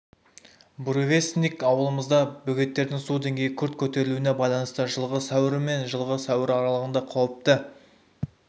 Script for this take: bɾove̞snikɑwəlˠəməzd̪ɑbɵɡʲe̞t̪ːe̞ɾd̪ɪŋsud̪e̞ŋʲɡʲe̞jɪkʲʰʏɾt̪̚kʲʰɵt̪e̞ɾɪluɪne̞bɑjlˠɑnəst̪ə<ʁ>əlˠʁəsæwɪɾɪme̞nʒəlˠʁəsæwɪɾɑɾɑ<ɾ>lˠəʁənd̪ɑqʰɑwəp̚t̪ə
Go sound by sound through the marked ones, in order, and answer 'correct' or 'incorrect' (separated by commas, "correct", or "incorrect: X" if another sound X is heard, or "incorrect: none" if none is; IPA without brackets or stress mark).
incorrect: ʒ, incorrect: none